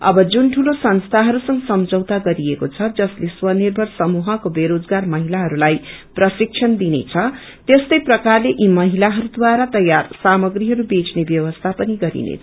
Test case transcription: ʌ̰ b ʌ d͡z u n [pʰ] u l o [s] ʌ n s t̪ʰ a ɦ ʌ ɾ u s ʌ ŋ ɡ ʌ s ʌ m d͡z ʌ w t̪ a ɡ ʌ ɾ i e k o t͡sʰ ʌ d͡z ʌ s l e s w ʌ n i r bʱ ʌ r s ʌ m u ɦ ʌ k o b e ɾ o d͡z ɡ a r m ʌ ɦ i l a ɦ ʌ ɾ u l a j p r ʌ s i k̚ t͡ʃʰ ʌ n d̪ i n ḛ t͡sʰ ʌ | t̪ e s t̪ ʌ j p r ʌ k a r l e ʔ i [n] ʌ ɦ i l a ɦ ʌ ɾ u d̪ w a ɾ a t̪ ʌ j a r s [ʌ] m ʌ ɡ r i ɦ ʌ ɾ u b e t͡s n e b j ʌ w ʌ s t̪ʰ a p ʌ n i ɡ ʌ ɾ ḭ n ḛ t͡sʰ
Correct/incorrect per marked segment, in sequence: incorrect: ʈʰ, correct, incorrect: m, incorrect: a

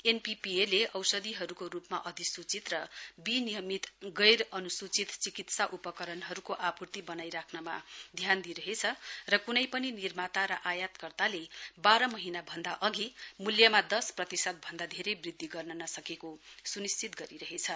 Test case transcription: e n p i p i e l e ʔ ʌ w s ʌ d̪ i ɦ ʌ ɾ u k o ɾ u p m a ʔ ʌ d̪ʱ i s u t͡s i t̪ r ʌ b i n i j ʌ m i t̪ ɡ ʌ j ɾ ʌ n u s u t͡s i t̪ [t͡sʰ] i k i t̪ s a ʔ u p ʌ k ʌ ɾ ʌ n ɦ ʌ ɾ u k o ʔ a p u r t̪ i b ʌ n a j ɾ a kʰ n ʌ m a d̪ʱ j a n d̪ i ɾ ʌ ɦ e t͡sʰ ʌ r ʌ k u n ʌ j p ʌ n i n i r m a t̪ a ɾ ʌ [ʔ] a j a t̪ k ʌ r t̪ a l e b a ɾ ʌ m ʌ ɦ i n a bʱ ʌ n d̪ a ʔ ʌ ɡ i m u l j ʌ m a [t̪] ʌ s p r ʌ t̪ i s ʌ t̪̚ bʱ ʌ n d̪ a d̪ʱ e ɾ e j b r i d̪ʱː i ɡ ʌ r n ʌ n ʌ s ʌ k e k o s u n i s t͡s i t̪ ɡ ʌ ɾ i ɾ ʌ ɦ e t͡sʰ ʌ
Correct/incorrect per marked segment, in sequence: incorrect: t͡s, correct, incorrect: d̪

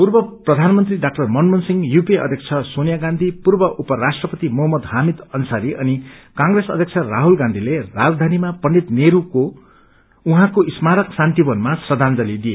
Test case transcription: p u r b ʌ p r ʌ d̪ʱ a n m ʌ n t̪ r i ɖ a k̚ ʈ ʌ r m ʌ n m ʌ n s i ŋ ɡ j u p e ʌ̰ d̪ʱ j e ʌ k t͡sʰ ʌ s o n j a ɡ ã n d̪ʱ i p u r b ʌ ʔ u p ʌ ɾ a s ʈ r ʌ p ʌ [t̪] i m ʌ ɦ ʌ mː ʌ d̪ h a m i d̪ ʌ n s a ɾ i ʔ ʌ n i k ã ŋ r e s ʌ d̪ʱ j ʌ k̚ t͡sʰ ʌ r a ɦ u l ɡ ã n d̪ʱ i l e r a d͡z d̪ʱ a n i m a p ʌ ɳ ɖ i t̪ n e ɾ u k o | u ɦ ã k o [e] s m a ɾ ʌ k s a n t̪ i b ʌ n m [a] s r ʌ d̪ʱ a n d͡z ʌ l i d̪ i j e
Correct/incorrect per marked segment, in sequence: correct, incorrect: i, correct

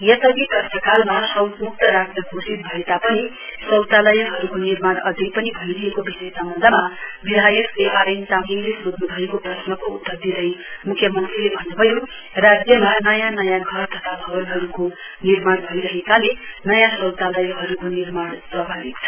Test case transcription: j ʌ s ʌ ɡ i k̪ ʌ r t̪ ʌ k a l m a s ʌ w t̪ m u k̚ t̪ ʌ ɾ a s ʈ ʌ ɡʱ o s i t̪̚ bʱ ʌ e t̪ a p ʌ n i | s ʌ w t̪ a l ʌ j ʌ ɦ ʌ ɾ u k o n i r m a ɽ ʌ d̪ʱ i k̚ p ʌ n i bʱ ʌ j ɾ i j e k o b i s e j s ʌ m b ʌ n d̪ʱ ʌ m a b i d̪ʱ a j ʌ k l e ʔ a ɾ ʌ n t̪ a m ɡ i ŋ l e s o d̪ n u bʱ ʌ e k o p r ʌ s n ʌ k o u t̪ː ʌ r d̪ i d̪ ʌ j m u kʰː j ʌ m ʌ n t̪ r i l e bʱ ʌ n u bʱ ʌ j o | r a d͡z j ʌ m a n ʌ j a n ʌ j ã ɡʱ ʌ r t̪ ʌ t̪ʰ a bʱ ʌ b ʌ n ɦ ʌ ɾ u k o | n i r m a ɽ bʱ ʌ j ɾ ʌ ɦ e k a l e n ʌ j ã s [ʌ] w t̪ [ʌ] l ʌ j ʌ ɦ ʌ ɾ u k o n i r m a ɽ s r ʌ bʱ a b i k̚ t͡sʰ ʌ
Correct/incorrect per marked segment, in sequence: correct, incorrect: a

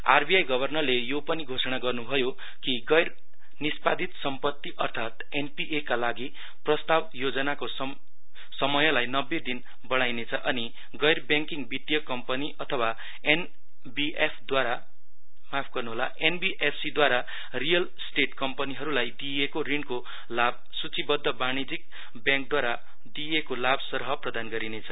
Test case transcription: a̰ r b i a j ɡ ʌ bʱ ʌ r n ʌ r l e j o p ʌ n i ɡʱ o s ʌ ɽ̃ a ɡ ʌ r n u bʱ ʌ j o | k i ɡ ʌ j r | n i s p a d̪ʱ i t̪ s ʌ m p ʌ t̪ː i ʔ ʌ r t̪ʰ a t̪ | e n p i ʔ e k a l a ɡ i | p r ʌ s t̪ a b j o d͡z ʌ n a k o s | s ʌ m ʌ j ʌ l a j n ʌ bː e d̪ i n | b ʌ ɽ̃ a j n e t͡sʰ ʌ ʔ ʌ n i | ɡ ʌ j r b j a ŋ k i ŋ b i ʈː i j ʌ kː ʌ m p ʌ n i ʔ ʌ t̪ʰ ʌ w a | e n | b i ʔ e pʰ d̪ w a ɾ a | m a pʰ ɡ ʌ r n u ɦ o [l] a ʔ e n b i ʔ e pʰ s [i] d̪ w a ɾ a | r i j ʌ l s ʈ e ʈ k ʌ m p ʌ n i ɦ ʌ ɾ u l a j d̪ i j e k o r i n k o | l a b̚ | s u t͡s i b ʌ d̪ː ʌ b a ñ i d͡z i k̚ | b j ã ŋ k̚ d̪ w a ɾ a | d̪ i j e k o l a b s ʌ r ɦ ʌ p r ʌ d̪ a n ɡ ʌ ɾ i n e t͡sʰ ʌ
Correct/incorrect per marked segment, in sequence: correct, correct

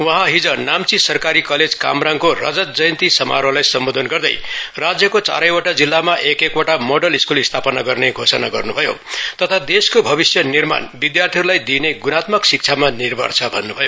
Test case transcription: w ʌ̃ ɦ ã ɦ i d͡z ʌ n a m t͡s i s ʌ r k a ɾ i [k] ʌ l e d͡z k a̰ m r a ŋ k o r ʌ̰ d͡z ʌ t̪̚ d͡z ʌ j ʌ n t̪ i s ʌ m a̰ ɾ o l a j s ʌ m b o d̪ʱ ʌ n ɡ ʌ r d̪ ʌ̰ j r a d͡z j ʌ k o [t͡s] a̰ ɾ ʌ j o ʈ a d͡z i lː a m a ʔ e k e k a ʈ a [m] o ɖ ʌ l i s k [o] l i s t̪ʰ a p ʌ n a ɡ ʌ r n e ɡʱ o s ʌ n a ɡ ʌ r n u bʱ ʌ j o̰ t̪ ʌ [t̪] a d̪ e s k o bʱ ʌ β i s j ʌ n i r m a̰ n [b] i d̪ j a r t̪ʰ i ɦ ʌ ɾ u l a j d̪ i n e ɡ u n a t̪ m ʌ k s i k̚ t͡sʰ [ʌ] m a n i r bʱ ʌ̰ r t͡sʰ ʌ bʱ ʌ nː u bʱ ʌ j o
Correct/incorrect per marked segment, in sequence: correct, correct, correct, incorrect: u, incorrect: t̪ʰ, correct, incorrect: a

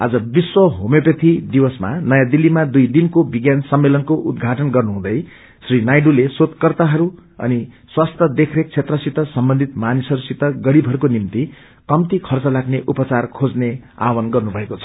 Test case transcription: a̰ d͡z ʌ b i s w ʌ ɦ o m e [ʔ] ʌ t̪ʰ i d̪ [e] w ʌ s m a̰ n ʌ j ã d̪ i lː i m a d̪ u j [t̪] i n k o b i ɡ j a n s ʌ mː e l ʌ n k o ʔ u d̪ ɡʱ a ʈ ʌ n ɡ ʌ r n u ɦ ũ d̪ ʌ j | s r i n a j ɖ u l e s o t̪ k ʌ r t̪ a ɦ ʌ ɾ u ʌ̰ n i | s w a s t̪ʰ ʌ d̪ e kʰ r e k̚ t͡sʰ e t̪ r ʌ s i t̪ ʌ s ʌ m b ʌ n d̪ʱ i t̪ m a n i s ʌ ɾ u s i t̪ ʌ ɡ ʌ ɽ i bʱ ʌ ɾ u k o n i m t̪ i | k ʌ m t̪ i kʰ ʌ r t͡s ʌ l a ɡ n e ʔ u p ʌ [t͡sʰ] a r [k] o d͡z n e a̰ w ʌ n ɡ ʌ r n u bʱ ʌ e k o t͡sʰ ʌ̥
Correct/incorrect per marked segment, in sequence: incorrect: p, incorrect: i, incorrect: d̪, incorrect: t͡s, incorrect: kʰ

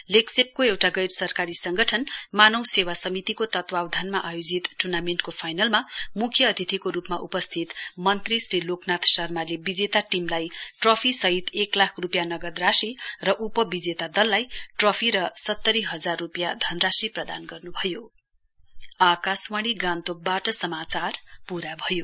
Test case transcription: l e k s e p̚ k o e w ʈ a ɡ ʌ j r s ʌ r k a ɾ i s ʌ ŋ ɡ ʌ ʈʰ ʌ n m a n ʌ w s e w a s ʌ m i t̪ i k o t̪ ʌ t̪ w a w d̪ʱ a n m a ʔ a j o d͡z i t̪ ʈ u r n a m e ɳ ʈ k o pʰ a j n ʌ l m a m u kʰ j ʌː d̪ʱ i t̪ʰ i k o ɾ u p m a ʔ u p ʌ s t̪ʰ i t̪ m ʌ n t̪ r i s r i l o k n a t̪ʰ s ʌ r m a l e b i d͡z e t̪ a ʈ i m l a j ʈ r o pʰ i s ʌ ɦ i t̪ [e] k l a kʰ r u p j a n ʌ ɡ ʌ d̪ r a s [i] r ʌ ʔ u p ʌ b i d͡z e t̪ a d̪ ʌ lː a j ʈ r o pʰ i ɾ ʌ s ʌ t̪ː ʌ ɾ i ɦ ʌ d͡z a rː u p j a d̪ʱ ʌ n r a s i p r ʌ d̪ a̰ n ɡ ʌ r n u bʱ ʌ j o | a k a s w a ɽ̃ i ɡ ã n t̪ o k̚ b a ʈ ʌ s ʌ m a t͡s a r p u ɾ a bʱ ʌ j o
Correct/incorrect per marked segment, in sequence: correct, correct

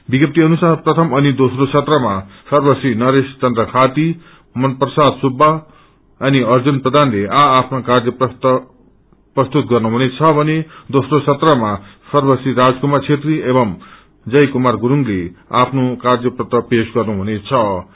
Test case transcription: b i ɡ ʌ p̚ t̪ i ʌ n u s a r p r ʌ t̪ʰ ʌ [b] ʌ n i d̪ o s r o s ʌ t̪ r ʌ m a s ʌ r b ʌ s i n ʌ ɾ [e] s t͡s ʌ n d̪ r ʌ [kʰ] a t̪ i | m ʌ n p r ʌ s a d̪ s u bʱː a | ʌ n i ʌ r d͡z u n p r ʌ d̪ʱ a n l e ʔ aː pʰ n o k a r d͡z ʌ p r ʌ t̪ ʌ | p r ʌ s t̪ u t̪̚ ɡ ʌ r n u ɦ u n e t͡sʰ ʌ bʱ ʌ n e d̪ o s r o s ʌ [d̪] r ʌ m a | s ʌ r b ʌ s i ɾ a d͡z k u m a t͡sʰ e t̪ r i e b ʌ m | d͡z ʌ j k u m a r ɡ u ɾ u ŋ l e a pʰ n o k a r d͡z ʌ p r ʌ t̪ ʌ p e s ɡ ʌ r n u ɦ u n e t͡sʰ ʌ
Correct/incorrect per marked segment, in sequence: incorrect: m, correct, correct, incorrect: t̪

